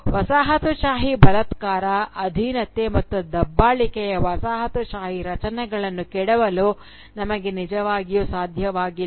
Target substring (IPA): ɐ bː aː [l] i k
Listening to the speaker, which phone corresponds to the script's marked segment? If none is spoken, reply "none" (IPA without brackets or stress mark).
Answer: ɭ